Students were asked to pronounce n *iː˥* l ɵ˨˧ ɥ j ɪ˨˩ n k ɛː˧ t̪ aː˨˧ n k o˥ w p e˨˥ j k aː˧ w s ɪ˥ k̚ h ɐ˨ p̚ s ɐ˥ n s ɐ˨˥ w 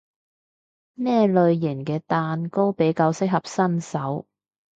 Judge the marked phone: incorrect: ɛː˥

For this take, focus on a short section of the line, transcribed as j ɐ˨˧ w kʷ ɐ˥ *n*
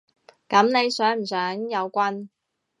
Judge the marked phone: correct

